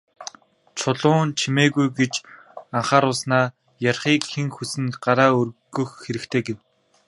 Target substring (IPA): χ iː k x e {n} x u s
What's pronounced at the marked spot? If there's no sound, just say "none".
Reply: ŋ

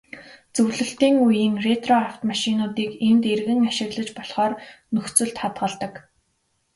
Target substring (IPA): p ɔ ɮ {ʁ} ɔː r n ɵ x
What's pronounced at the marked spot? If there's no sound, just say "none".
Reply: χ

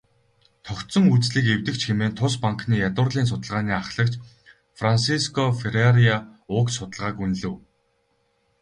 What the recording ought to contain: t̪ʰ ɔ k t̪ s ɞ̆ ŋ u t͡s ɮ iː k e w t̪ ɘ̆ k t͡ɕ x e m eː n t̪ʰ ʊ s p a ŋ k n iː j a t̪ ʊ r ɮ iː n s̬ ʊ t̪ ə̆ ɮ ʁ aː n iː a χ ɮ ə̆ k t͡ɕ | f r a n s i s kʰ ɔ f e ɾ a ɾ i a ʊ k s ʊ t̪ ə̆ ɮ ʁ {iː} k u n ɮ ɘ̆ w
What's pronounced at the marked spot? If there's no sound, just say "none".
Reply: aː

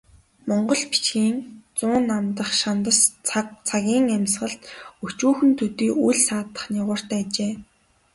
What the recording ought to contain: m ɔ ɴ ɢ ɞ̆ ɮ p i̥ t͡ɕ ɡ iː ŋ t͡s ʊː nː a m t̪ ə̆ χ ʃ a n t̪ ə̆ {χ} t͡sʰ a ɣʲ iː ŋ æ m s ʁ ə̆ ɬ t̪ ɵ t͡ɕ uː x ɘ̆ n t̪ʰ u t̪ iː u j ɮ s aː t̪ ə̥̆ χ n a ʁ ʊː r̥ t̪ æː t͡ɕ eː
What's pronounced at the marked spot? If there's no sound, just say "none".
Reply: s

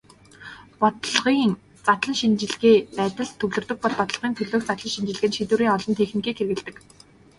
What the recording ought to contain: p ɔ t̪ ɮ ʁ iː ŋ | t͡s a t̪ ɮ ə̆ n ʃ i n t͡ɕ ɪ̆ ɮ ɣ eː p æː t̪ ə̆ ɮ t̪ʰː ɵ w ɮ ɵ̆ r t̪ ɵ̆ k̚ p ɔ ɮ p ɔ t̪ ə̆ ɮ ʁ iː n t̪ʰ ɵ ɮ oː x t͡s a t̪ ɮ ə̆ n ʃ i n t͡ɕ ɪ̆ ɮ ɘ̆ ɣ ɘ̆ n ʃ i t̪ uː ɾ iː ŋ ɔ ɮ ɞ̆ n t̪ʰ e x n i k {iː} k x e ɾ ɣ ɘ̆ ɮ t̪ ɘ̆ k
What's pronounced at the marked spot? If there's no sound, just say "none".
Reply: iː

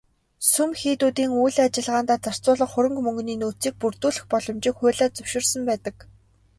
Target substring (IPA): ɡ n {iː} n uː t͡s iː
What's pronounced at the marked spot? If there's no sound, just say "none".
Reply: iː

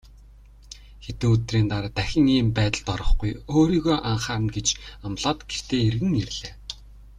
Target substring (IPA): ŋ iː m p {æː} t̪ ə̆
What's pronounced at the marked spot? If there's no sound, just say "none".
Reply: æː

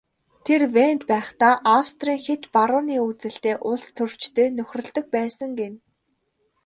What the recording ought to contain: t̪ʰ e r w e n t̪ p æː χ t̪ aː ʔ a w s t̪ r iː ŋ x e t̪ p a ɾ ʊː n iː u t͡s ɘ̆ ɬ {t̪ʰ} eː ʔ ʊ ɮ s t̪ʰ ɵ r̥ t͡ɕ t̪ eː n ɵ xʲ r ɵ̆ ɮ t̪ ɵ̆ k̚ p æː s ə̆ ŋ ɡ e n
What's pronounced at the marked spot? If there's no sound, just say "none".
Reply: t̪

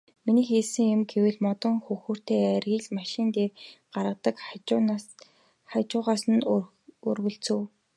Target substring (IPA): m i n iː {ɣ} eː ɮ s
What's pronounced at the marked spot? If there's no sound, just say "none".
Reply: x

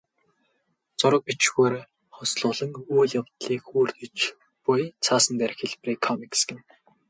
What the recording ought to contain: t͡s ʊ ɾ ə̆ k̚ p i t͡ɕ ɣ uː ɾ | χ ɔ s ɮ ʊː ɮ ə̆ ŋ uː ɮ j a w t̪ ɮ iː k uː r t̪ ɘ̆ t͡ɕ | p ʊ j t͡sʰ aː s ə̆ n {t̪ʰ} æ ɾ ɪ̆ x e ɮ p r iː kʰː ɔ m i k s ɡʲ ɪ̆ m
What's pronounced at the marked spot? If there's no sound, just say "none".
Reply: t̪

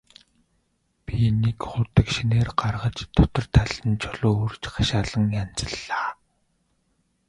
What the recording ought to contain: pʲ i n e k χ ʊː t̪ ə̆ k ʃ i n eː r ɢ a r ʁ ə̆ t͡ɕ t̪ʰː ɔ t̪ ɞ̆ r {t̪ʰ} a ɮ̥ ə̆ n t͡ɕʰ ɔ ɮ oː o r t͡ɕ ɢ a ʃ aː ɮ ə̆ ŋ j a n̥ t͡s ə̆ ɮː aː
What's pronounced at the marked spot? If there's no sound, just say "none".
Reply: t̪ʰ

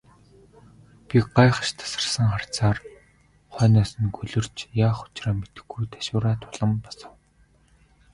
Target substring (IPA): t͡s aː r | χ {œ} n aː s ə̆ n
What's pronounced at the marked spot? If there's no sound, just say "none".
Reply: œː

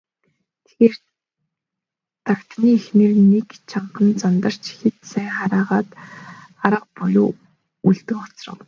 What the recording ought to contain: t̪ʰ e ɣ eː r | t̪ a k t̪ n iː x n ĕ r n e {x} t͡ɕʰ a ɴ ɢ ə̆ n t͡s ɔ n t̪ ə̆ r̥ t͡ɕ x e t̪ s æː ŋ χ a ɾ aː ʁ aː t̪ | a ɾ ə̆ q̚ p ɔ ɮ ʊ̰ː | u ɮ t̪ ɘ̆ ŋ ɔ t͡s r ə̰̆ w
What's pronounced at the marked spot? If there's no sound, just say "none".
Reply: k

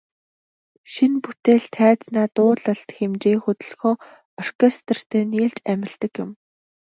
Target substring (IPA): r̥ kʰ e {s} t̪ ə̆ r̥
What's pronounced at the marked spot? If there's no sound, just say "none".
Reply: s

